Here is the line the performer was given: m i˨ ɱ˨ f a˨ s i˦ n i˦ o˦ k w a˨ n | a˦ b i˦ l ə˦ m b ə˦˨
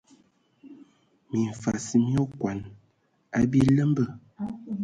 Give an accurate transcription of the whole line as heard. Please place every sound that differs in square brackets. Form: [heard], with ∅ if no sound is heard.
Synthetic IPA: m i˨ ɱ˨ f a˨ s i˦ [m] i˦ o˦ k w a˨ n | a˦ b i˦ l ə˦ m b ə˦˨

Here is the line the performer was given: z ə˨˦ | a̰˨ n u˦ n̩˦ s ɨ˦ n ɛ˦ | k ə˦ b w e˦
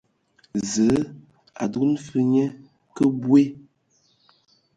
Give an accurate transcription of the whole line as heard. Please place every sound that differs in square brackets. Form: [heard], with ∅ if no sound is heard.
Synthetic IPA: z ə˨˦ | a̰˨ [d] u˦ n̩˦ [f] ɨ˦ [ɲ] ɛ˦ | k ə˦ b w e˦

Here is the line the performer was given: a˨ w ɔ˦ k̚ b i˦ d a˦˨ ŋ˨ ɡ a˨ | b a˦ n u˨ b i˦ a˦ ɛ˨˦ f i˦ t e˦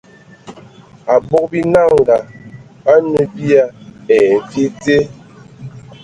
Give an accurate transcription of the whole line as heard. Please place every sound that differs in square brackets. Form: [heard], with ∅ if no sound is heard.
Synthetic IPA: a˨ [b] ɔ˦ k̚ b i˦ [n] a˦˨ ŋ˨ ɡ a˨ | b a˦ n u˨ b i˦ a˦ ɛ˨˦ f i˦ t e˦

